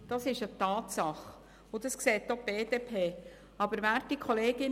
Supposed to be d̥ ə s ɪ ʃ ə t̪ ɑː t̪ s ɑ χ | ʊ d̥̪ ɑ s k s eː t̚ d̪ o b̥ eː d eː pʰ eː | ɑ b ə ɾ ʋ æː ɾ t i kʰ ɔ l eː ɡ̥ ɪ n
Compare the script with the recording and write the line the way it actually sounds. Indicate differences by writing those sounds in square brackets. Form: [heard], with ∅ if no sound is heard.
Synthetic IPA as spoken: d̥ [ɑ] s ɪ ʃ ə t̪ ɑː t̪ s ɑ χ | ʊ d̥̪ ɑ s k s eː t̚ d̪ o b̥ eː d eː pʰ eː | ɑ b ə ɾ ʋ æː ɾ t i kʰ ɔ l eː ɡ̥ ɪ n